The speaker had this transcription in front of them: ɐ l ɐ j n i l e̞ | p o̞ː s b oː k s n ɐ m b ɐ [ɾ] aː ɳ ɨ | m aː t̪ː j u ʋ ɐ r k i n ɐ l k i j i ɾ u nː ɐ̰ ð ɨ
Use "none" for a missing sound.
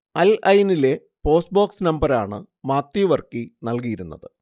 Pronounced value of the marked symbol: ɾ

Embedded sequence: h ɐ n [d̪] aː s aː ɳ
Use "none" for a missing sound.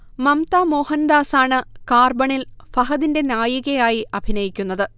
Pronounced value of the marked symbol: d̪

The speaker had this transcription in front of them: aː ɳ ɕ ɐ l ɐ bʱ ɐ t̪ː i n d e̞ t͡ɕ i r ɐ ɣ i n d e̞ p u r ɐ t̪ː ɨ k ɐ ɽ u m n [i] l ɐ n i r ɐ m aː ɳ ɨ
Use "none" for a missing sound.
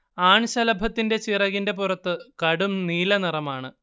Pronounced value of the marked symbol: iː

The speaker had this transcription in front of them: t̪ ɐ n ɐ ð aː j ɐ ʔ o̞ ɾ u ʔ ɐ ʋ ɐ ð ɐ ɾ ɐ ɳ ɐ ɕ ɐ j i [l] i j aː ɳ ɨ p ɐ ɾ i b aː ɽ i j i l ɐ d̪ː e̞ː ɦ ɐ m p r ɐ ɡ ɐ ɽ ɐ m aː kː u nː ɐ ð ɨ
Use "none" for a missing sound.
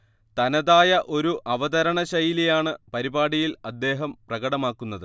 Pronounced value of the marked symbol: l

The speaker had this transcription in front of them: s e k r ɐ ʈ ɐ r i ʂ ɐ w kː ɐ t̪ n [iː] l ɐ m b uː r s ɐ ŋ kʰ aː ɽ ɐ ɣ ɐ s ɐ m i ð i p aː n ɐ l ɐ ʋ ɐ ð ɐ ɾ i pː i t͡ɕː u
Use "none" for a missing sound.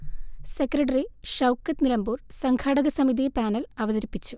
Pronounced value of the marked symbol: i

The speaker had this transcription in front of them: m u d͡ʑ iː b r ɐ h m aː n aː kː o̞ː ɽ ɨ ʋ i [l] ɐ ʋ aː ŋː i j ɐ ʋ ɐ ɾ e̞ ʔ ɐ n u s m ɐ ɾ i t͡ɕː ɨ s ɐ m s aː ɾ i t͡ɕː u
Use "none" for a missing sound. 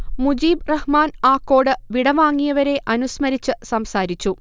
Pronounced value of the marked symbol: ɽ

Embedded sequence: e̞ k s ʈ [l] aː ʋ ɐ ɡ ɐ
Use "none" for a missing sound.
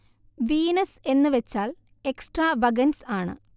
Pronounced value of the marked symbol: r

